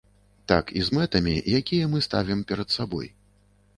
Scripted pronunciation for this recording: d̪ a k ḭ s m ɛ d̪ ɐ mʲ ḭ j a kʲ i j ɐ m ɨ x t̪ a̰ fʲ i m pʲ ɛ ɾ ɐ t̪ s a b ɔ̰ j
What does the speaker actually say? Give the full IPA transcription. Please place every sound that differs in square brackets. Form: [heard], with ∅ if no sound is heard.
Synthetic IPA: [t̪] a k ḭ [z] m ɛ [t̪] ɐ mʲ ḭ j a kʲ i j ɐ m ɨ [s] t̪ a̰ [vʲ] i m pʲ ɛ ɾ ɐ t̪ s a b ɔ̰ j